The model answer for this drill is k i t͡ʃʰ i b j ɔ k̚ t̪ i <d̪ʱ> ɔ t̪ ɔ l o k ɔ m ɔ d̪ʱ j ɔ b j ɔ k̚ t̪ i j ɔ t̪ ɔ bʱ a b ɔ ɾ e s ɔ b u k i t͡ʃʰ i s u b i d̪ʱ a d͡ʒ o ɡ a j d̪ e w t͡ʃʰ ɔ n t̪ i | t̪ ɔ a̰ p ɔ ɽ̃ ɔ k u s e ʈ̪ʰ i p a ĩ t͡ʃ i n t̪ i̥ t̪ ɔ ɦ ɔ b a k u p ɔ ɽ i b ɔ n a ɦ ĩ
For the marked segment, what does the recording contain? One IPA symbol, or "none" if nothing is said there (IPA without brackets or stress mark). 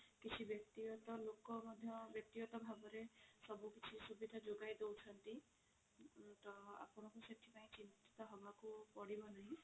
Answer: none